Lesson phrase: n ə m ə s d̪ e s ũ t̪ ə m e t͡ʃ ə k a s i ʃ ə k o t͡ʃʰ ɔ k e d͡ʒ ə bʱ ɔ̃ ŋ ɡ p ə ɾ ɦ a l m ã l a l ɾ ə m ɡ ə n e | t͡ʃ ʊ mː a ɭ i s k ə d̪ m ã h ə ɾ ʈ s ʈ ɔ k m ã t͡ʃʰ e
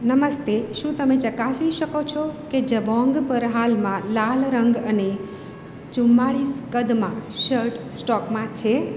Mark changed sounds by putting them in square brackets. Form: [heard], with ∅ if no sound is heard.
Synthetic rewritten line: n ə m ə s [t̪] e [ʃ] ũ t̪ ə m e t͡ʃ ə k a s i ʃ ə k o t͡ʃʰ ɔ k e d͡ʒ ə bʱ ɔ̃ ŋ ɡ p ə ɾ ɦ a l m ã l a l ɾ ə [ŋ] ɡ ə n e | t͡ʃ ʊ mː a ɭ i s k ə d̪ m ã [ʃ] ə ɾ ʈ s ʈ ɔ k m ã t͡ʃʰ e